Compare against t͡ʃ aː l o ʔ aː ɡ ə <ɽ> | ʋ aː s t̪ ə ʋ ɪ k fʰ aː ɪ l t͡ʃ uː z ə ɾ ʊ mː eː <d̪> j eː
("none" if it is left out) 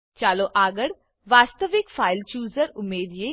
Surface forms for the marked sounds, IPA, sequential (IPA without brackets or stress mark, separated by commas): ɽ, d̪